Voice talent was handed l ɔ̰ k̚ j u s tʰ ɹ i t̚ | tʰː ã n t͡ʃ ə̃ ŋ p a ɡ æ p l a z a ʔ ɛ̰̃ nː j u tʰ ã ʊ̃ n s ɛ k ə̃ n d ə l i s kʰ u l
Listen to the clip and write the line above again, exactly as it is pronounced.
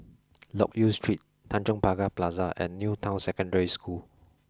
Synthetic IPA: l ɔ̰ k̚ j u s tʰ ɹ i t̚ | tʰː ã n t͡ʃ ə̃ ŋ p a ɡ a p l a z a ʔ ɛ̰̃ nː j u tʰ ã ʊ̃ n s ɛ k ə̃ n d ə ɹ i s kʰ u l